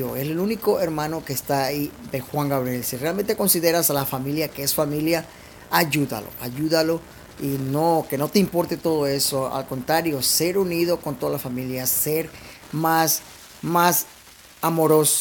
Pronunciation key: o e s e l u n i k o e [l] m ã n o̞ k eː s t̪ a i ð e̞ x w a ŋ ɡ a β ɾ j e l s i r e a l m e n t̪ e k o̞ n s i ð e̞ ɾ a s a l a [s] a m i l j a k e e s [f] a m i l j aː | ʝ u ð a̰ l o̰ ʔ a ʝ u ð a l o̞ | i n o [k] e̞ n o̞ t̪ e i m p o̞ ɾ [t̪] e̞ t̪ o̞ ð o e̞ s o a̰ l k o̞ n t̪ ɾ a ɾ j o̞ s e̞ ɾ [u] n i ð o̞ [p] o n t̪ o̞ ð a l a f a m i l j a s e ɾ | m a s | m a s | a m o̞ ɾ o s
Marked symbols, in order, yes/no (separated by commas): no, no, yes, yes, yes, yes, no